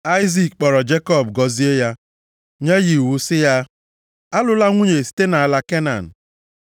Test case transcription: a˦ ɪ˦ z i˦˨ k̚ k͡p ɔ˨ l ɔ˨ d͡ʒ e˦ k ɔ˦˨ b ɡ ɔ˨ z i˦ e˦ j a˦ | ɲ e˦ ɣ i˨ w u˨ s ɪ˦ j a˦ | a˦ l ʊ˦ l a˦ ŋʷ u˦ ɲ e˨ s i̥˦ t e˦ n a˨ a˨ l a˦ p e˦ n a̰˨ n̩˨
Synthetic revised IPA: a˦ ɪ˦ z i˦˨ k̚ k͡p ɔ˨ ɾ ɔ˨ d͡ʒ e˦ k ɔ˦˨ b ɡ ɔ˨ z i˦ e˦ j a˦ | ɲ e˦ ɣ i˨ w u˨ s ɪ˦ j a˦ | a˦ l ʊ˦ l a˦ ŋʷ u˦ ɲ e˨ s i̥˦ t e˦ n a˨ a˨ l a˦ k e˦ n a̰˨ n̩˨